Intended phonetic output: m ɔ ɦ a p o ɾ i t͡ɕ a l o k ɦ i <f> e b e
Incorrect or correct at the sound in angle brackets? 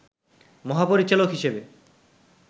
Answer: incorrect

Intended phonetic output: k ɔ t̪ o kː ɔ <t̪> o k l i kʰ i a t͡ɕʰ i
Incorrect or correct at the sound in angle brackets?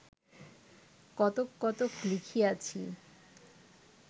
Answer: correct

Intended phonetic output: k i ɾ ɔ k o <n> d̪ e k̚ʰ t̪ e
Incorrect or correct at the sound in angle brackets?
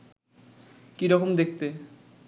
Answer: incorrect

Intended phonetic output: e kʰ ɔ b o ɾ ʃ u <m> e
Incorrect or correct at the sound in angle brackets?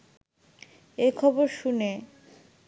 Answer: incorrect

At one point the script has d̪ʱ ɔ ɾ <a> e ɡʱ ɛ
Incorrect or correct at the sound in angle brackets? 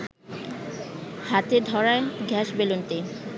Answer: correct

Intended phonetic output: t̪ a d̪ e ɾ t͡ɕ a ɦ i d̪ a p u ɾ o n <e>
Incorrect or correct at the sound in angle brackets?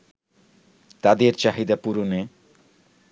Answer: correct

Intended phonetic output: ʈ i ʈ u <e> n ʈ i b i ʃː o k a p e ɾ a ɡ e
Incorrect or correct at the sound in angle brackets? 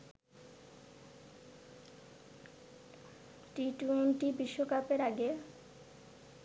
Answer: correct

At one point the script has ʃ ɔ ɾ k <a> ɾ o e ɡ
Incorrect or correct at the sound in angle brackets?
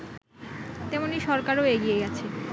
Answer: correct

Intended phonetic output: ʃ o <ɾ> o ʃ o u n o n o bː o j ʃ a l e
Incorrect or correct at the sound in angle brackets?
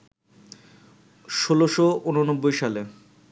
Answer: incorrect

